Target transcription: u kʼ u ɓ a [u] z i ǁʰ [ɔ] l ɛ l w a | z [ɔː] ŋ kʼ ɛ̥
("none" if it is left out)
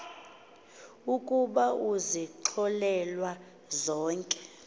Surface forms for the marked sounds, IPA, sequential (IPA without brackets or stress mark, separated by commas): u, ɔ, ɔː